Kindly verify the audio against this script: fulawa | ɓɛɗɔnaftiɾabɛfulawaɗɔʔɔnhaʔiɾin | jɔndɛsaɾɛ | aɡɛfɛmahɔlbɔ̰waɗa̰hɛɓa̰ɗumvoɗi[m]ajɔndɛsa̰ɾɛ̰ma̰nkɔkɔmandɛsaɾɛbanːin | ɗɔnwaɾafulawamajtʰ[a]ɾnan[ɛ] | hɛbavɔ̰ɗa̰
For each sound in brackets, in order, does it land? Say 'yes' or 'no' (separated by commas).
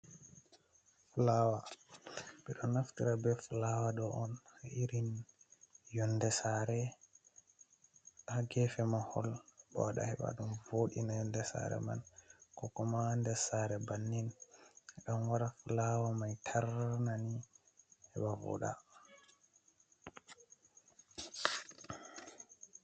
no, yes, no